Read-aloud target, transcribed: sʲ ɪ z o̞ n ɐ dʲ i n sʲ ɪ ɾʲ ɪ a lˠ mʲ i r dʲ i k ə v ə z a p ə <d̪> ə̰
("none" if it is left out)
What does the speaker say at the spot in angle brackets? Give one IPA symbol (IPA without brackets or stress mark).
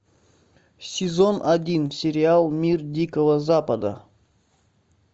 d̪